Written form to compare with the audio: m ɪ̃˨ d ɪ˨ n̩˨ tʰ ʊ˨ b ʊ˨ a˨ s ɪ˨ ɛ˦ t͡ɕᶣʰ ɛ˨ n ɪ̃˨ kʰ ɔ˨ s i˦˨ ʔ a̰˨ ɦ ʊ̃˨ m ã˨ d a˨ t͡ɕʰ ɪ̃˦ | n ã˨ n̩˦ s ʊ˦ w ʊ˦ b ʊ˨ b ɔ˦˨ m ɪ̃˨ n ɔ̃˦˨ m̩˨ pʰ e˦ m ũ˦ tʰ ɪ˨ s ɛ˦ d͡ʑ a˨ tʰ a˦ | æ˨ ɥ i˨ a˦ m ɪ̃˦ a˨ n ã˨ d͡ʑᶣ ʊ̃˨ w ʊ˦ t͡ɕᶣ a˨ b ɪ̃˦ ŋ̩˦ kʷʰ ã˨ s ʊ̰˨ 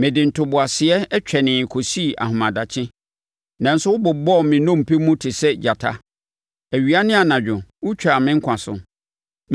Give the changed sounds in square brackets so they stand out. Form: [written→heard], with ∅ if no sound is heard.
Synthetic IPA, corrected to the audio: m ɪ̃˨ d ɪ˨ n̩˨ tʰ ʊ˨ b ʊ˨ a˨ s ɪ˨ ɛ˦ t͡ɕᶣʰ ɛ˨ n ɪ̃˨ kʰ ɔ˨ s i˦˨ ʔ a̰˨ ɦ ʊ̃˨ m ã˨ d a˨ t͡ɕʰ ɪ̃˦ | n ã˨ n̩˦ s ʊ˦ w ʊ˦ b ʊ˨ b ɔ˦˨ m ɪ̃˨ n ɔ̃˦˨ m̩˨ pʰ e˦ m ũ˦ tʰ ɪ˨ s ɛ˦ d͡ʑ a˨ tʰ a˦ | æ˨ ɥ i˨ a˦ [m→n] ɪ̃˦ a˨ n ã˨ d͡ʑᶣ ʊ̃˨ w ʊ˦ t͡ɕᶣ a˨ [b→m] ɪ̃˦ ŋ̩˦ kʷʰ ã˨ s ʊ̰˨